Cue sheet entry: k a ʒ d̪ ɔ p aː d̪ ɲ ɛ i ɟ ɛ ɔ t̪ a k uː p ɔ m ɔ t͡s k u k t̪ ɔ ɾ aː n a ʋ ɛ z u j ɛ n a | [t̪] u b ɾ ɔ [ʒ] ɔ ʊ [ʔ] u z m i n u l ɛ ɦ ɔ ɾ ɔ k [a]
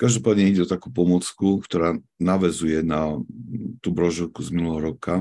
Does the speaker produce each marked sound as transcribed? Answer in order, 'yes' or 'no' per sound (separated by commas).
yes, yes, no, yes